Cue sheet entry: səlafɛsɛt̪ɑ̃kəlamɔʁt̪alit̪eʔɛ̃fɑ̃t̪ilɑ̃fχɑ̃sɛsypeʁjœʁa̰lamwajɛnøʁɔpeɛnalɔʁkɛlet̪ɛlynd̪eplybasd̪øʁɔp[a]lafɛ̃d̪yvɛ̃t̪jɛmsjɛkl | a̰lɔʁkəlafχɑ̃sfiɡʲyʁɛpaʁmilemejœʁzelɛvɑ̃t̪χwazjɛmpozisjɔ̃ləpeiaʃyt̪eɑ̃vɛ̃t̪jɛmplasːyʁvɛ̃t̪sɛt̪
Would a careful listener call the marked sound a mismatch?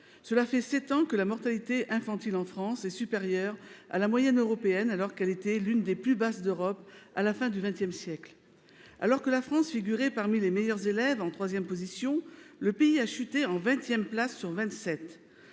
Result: no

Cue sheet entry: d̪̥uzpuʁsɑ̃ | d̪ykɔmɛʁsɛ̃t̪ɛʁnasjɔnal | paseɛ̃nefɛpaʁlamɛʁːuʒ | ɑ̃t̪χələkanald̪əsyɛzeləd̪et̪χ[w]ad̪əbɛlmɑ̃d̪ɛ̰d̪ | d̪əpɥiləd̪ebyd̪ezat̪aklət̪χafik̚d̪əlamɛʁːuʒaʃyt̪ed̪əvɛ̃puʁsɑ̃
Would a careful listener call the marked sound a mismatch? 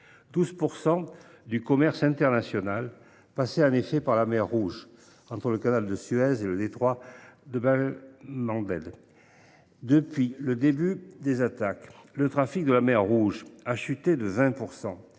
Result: no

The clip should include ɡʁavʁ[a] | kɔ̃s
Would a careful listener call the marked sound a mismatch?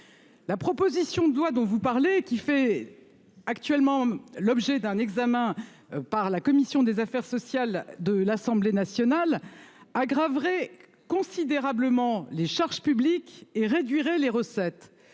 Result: yes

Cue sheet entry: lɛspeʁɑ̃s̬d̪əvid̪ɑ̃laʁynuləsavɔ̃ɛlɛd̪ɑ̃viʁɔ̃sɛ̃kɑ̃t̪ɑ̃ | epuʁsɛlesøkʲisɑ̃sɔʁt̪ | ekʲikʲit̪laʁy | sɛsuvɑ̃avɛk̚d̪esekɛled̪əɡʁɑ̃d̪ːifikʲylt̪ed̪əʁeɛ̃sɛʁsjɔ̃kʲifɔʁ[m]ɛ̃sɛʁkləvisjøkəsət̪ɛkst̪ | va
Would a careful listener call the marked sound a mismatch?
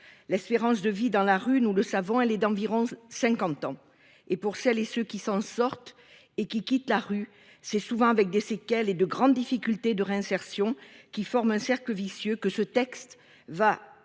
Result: no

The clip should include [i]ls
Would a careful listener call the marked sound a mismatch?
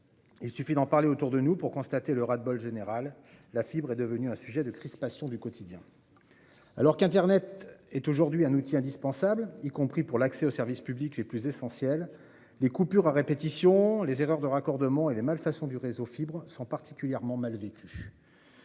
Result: no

